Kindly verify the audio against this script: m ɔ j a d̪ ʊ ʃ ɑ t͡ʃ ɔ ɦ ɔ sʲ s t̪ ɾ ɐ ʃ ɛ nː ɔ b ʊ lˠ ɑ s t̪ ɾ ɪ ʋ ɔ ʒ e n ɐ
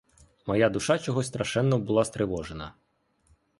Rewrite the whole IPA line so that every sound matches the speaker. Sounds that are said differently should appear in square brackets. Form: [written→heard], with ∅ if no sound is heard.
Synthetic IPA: m ɔ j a d̪ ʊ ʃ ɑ t͡ʃ ɔ ɦ ɔ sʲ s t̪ ɾ ɐ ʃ ɛ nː ɔ b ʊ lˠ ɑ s t̪ ɾ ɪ ʋ ɔ ʒ e n ɐ